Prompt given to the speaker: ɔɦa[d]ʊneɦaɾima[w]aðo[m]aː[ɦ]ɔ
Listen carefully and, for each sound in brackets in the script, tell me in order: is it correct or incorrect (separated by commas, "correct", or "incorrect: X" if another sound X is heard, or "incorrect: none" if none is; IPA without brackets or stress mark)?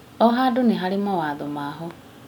correct, correct, correct, correct